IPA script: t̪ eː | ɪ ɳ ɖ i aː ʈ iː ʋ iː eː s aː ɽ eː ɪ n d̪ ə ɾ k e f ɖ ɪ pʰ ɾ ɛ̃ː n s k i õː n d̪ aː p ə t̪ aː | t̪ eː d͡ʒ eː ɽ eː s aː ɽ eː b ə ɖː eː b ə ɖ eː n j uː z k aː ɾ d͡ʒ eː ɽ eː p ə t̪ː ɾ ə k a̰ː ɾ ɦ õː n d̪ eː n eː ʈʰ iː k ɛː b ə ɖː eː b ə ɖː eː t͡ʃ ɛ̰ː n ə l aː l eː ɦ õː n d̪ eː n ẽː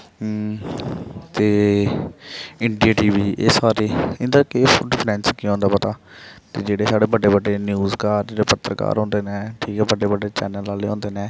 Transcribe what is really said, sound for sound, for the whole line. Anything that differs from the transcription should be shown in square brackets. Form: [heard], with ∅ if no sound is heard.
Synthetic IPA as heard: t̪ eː | ɪ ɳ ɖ i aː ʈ iː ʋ iː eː s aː [ɾ] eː ɪ n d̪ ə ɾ k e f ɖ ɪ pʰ ɾ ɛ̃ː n s k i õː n d̪ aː p ə t̪ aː | t̪ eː d͡ʒ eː ɽ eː s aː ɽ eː b ə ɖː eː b ə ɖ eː n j uː z k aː ɾ d͡ʒ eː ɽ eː p ə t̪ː ɾ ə k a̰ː ɾ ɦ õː n d̪ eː n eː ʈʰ iː k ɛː b ə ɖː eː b ə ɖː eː t͡ʃ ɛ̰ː n ə l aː l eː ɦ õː n d̪ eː n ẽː